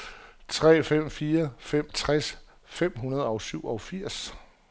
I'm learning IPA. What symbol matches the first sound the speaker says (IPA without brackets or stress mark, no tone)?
t͡sʰ